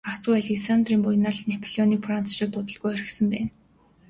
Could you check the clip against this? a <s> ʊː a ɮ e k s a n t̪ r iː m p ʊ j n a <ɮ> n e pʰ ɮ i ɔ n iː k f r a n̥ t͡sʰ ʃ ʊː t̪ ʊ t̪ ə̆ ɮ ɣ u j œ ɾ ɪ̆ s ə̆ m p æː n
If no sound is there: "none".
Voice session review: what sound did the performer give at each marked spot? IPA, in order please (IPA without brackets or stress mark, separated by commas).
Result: s, ɮ